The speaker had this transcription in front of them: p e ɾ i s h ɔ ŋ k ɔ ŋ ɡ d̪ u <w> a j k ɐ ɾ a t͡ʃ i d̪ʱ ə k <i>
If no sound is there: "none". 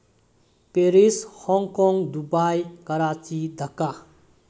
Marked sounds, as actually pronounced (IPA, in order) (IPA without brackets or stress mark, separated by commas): b, a